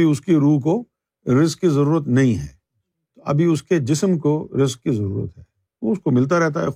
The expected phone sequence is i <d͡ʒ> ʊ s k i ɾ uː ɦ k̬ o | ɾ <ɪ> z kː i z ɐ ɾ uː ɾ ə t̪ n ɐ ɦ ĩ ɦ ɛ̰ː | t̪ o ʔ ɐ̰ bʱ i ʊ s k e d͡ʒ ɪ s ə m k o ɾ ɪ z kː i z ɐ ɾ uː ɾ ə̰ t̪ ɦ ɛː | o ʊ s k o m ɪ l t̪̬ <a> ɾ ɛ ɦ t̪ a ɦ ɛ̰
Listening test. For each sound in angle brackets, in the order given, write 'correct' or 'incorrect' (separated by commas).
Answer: incorrect, correct, correct